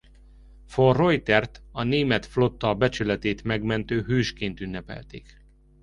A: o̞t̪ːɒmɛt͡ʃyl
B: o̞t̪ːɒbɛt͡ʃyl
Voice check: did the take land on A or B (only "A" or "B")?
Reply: B